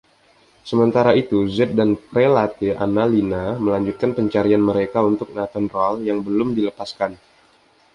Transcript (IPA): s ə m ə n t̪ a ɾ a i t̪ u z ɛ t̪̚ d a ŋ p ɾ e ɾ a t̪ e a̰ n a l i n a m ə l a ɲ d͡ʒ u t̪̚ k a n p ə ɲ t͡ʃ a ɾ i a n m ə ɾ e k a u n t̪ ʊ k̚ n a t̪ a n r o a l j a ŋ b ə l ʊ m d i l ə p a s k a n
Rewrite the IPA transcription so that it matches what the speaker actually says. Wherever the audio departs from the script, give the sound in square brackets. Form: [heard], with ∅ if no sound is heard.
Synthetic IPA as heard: s ə m ə n t̪ a ɾ a i t̪ u z ɛ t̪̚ d a [n] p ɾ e [l] a t̪ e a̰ n a l i n a m ə l a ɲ d͡ʒ u t̪̚ k a n p ə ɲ t͡ʃ a ɾ i a n m ə ɾ e k a u n t̪ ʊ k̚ n a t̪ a n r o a l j a ŋ b ə l ʊ m d i l ə p a s k a n